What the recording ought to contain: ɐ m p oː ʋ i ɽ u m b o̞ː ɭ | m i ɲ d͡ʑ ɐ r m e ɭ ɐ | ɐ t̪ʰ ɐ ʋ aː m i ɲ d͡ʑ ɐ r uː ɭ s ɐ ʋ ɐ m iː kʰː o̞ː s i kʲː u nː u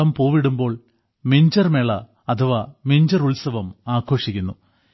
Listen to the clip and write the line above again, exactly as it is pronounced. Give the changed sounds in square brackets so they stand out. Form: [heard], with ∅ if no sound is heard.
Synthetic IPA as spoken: ɐ m p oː ʋ i ɽ u m b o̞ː ɭ | m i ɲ d͡ʑ ɐ r m e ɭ ɐ | ɐ t̪ʰ ɐ ʋ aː m i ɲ d͡ʑ ɐ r [u] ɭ s ɐ ʋ ɐ m [aː] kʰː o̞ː [ʂ] i kʲː u nː u